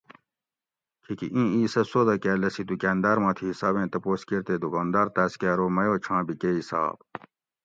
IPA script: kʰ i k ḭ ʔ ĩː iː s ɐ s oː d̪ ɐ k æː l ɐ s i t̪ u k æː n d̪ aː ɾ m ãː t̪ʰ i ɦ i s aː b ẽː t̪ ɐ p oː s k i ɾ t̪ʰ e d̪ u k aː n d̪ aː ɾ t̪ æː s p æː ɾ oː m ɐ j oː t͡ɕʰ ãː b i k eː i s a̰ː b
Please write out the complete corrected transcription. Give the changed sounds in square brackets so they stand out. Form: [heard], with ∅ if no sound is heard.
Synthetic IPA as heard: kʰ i k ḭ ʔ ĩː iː s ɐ s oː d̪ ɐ k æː l ɐ s i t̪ u k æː n d̪ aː ɾ m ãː t̪ʰ i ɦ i s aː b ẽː t̪ ɐ p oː s k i ɾ [t̪] e d̪ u k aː n d̪ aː ɾ t̪ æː s [k] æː ɾ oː m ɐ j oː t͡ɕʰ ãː b i k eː i s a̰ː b